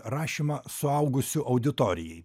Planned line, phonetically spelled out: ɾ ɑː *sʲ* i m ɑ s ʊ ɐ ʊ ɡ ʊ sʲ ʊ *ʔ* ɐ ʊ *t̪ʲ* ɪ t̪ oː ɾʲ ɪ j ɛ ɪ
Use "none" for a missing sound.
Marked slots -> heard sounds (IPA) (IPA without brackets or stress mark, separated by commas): ʃʲ, ʔ, d̪ʲ